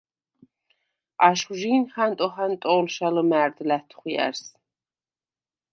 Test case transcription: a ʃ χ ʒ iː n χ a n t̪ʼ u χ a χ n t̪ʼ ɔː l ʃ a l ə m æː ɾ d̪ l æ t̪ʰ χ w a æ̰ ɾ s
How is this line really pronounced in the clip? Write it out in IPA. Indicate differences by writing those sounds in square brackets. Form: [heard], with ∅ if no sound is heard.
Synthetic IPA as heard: a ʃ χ ʒ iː n χ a n t̪ʼ [ɔ] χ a [∅] n t̪ʼ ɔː l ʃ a l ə m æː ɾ d̪ l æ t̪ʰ χ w [i] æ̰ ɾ s